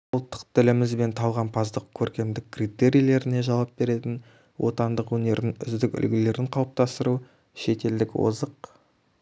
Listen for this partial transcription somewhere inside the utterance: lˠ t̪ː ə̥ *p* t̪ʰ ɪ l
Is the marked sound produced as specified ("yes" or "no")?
no